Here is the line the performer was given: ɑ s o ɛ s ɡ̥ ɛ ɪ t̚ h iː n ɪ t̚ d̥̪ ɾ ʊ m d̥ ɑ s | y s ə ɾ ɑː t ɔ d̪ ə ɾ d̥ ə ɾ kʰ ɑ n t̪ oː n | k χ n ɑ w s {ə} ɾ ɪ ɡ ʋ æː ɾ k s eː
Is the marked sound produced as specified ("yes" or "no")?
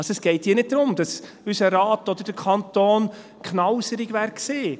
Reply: yes